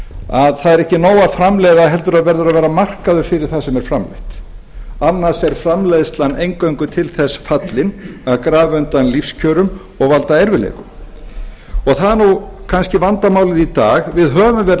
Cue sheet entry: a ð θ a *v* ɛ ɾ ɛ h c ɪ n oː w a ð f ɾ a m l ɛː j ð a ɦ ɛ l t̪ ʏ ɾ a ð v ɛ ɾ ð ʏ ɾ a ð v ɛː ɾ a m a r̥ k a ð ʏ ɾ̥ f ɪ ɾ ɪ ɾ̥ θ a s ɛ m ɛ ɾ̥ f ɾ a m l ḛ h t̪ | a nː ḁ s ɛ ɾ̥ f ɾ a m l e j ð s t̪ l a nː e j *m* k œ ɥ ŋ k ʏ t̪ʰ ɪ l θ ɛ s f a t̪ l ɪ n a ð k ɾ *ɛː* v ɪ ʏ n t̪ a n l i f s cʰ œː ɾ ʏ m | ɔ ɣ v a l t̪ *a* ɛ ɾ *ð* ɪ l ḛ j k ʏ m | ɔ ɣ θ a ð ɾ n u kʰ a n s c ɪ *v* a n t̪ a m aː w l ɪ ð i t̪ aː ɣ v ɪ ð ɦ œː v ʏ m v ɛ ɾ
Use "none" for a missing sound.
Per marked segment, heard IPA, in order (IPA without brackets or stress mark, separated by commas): ð, ŋ, aː, a, v, v